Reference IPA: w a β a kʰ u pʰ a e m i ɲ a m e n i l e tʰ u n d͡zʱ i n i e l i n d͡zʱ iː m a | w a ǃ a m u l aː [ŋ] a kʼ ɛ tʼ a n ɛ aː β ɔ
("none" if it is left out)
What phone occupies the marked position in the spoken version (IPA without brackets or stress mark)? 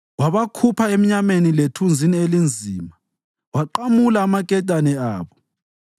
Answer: m